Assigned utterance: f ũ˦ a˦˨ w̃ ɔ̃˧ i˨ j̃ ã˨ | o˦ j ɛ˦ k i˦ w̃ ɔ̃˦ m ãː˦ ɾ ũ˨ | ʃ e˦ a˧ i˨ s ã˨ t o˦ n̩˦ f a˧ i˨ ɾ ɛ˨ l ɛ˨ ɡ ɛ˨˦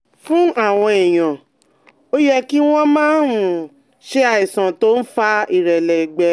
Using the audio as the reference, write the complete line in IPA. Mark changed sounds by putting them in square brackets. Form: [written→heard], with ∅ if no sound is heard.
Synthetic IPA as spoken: f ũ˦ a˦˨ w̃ ɔ̃˧ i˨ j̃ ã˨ | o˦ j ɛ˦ k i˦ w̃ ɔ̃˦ m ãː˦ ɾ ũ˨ | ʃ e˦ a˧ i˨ s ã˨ t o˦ n̩˦ f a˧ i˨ ɾ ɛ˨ l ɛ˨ [ɡ→ɡ͡b] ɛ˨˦